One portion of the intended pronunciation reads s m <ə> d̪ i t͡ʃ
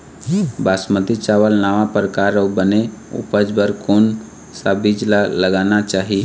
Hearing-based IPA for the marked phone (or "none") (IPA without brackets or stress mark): ə